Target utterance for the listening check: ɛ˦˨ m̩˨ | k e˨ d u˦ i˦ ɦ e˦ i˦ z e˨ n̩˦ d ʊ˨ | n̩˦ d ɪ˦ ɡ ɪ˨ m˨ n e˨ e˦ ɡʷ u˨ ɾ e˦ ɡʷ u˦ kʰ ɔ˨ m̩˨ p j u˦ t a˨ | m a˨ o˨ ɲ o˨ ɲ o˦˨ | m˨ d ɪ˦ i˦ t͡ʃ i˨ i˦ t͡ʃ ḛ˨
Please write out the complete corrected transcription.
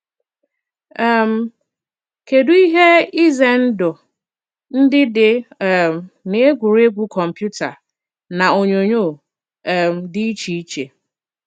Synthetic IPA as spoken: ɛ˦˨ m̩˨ | k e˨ d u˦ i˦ ɦ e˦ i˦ z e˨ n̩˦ d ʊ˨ | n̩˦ d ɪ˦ d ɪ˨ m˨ n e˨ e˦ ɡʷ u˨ ɾ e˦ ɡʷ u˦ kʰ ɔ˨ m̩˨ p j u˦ t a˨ | n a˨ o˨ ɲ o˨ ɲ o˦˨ | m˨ d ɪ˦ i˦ t͡ʃ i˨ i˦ t͡ʃ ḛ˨

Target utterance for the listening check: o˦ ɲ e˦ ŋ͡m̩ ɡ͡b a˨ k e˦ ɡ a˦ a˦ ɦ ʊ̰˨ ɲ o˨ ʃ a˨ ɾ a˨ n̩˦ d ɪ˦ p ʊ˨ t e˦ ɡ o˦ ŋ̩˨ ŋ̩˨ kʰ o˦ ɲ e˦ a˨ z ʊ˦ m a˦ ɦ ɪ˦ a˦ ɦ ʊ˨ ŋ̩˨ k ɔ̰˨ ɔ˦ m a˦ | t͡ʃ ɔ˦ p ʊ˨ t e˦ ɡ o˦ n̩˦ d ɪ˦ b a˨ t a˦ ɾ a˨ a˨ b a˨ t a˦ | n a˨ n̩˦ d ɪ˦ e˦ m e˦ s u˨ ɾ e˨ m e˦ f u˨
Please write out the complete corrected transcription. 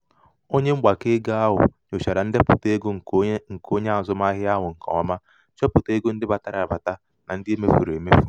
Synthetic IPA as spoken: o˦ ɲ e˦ ŋ͡m̩ ɡ͡b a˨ k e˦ ɡ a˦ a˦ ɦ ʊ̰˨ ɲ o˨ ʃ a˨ ɾ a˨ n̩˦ d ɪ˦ p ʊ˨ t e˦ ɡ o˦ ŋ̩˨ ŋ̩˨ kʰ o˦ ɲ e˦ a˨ z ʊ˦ m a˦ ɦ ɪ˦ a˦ ɦ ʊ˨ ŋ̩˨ k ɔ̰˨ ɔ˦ m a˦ | t͡ʃ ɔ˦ p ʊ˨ t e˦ ɡ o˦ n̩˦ d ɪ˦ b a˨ t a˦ ɾ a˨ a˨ b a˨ t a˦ | n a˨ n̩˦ d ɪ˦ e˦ m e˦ f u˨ ɾ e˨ m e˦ f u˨

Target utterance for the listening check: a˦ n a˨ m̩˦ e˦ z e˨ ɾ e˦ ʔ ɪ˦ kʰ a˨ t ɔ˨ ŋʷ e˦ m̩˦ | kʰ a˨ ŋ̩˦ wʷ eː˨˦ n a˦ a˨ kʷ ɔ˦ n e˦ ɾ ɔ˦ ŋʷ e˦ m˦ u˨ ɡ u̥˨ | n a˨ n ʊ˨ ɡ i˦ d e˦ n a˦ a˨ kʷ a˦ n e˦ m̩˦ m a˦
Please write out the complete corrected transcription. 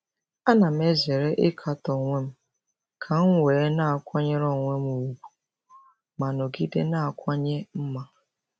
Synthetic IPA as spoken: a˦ n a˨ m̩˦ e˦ z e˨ ɾ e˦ ʔ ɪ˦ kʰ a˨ t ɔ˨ ŋʷ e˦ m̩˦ | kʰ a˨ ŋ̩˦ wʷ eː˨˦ n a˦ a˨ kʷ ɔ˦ ɲ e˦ ɾ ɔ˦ ŋʷ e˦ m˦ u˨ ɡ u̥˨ | m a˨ n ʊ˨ ɡ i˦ d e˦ n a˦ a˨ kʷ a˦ ɲ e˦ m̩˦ m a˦

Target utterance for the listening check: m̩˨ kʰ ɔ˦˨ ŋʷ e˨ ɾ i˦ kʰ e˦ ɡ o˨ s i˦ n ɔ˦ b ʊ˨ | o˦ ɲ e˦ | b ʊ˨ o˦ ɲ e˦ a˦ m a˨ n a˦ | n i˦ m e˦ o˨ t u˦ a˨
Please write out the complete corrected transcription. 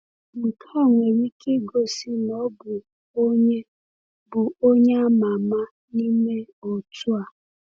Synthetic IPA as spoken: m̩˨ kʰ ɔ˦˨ ŋʷ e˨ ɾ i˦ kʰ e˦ ɡ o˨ s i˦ n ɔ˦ b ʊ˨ | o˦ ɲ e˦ | b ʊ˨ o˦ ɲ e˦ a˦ m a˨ m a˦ | n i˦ m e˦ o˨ t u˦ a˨

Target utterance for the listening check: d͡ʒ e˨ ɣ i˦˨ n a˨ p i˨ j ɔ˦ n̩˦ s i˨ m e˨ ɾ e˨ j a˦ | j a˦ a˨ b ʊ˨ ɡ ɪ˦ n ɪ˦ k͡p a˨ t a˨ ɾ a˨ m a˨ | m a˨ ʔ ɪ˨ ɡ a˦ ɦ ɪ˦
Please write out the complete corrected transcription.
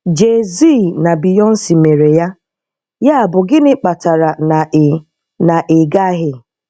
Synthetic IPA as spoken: d͡ʒ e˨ z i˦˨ n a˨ b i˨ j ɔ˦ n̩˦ s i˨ m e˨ ɾ e˨ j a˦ | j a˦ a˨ b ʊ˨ ɡ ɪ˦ n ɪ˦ k͡p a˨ t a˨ ɾ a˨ n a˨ | n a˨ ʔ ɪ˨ ɡ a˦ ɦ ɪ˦

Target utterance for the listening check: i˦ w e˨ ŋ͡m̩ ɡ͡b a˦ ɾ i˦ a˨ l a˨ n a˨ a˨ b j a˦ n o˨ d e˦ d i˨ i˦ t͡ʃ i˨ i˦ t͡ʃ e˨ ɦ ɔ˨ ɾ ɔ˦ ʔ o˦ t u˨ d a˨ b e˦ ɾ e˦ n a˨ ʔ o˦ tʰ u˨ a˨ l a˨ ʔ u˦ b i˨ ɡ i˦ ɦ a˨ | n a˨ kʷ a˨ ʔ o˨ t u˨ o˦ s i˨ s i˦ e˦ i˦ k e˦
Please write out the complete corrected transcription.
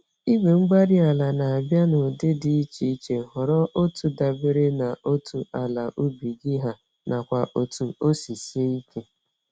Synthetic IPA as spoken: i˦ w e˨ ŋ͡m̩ ɡ͡b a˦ ɾ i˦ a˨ l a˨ n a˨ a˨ b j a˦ n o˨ d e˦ d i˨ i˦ t͡ʃ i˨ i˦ t͡ʃ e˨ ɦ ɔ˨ ɾ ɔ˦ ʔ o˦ t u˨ d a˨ b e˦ ɾ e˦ n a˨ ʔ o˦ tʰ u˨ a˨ l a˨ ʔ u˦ b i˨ ɡ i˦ ɦ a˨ | n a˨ kʷ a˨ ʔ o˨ t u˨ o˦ s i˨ s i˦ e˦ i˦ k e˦

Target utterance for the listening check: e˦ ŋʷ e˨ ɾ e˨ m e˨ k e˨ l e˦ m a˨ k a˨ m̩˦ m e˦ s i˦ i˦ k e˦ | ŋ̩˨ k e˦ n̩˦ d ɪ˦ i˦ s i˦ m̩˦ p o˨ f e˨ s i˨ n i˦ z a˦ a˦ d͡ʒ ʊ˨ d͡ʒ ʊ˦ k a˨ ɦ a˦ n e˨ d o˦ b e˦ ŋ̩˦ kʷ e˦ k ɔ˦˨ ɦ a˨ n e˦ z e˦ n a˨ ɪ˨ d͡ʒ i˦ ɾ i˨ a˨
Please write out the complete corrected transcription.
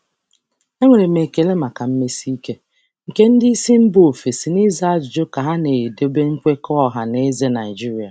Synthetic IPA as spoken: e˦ ŋʷ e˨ ɾ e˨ m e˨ k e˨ l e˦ m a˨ k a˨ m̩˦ m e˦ s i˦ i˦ k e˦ | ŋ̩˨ k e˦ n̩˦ d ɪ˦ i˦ s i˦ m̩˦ b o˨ f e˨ s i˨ n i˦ z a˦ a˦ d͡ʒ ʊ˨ d͡ʒ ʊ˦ k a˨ ɦ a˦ n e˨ d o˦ b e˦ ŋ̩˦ kʷ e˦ k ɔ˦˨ ɦ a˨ n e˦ z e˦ n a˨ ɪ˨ d͡ʒ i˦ ɾ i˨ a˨

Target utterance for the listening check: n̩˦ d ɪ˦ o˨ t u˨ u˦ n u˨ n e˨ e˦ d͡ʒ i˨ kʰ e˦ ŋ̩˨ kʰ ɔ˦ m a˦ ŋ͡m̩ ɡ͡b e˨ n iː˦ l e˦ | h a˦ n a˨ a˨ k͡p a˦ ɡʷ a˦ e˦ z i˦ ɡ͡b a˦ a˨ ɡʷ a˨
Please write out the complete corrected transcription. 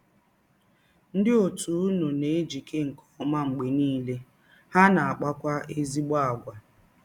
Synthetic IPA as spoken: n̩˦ d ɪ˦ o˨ t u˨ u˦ n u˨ n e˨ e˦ d͡ʒ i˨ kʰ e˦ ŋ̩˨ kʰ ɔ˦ m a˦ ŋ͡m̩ ɡ͡b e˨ n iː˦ l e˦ | h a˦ n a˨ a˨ k͡p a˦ kʷ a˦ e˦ z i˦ ɡ͡b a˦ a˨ ɡʷ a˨

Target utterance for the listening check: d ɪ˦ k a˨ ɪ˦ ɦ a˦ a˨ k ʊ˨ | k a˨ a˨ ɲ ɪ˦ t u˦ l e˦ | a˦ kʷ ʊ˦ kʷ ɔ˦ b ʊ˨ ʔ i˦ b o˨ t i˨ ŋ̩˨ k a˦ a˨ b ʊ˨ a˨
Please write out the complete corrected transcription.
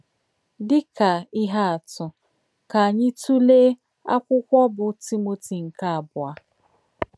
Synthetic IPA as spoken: d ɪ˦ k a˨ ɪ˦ ɦ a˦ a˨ t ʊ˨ | k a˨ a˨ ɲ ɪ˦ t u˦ l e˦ | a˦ kʷ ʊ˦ kʷ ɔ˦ b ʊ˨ t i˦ m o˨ t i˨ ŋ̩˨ k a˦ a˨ b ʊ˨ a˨

